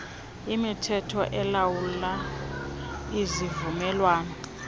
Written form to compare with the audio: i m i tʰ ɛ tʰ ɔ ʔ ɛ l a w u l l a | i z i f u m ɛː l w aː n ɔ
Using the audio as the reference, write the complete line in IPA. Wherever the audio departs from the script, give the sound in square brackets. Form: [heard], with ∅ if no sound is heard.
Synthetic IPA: i m i tʰ ɛ tʰ ɔ ʔ ɛ l a w u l l a | i z i [v] u m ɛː l w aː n ɔ